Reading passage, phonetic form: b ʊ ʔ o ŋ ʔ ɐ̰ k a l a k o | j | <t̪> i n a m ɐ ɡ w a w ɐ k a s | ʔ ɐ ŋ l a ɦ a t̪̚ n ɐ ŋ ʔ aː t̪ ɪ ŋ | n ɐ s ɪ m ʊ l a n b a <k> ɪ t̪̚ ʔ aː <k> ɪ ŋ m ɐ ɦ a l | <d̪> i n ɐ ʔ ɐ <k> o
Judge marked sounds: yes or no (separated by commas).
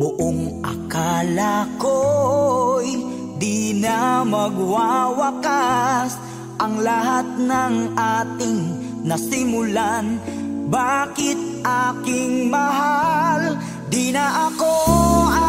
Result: no, yes, yes, yes, yes